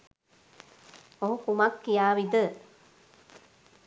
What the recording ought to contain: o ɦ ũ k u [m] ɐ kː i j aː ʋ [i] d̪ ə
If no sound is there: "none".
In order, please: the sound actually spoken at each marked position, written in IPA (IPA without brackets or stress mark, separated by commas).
m, i